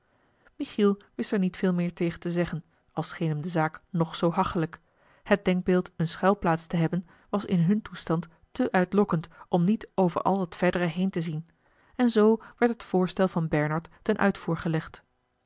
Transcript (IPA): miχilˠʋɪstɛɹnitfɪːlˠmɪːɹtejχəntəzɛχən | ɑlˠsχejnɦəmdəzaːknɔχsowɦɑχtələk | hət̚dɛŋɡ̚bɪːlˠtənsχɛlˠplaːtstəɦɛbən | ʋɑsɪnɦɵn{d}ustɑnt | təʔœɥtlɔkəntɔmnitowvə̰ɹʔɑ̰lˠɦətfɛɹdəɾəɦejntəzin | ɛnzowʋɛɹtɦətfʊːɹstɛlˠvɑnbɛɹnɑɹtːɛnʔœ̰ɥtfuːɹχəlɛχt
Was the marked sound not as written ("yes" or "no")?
yes